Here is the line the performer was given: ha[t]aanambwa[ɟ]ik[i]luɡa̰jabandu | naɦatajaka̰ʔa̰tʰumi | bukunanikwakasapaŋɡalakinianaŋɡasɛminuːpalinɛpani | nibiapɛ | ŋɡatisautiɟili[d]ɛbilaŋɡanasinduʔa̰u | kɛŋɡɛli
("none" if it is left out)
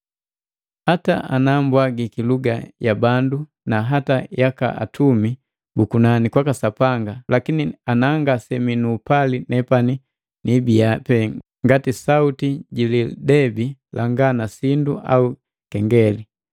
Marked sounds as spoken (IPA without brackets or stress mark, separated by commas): t, ɡ, i, d